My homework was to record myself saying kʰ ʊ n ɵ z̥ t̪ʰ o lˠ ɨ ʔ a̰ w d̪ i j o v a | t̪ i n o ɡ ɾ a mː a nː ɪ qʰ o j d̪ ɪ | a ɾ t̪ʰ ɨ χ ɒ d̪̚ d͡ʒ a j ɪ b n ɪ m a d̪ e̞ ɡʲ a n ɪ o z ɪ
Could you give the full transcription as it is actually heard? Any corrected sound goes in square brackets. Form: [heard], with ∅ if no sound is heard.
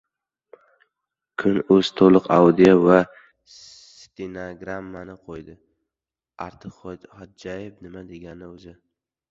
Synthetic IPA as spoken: kʰ ʊ n ɵ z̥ t̪ʰ o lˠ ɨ [q] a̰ w d̪ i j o v a | t̪ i n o ɡ ɾ a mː a [n] ɪ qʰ o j d̪ ɪ | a ɾ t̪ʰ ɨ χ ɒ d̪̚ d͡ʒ a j ɪ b n ɪ m a d̪ e̞ ɡʲ a n ɪ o z ɪ

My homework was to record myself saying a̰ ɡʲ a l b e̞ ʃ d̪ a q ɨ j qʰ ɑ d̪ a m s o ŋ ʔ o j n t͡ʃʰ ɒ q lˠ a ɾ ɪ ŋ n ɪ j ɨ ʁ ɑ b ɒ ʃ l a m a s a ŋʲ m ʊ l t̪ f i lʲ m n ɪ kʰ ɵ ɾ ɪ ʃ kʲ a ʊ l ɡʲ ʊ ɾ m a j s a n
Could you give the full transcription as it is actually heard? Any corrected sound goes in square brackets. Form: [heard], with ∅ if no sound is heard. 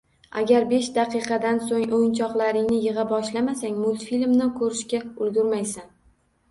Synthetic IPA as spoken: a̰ ɡʲ a [ɾ] b e̞ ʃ d̪ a q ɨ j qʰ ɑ d̪ a [n] s o ŋ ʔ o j n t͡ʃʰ ɒ q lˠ a ɾ ɪ ŋ n ɪ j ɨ ʁ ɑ b ɒ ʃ l a m a s a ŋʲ m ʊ l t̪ f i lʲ m n ɪ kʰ ɵ ɾ ɪ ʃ kʲ a ʊ l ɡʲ ʊ ɾ m a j s a n

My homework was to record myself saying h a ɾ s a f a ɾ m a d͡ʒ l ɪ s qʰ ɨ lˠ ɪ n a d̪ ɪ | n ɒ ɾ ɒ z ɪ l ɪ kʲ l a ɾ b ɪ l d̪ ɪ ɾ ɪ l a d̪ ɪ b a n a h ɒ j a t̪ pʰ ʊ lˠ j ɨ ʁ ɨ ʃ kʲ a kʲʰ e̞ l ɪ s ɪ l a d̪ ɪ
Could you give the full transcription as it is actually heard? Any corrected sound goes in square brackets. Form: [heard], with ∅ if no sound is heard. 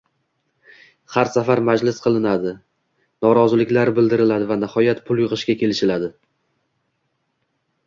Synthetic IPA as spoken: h a ɾ s a f a ɾ m a d͡ʒ l ɪ s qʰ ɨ lˠ ɪ n a d̪ ɪ | n ɒ ɾ ɒ z ɪ l ɪ kʲ l a ɾ b ɪ l d̪ ɪ ɾ ɪ l a d̪ ɪ [v] a n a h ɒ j a t̪ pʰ ʊ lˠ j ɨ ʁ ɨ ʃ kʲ a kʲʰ e̞ l ɪ [ʃ] ɪ l a d̪ ɪ

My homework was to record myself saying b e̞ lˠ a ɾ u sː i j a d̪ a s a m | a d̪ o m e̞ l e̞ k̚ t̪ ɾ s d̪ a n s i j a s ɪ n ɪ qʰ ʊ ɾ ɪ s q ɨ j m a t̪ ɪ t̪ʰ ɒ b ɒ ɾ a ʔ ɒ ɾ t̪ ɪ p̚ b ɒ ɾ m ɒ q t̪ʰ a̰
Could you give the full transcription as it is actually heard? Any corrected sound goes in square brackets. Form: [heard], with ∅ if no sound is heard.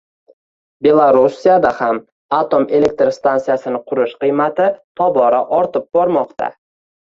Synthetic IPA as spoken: b e̞ lˠ a ɾ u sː i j a d̪ a [h] a m | a [t̪] o m e̞ l e̞ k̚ t̪ ɾ s [t̪] a n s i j a s ɪ n ɪ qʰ ʊ ɾ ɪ [ʃ] q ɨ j m a t̪ ɪ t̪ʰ ɒ b ɒ ɾ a ʔ ɒ ɾ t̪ ɪ p̚ b ɒ ɾ m ɒ q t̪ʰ a̰

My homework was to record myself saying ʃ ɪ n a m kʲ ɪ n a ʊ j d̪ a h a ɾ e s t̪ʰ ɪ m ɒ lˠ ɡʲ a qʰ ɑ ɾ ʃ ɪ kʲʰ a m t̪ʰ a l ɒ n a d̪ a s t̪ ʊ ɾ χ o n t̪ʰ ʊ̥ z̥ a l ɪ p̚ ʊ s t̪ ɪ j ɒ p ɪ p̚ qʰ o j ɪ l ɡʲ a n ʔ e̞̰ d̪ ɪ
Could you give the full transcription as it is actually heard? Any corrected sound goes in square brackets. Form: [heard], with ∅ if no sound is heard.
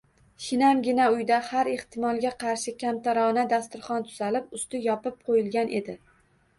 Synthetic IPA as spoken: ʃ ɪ n a m [ɡʲ] ɪ n a ʊ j d̪ a h a ɾ e [h] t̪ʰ ɪ m ɒ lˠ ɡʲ a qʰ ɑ ɾ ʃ ɪ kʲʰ a m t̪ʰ a [ɾ] ɒ n a d̪ a s t̪ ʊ ɾ χ [ɒ] n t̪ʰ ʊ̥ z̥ a l ɪ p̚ ʊ s t̪ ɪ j ɒ p ɪ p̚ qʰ o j ɪ l ɡʲ a n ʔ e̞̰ d̪ ɪ

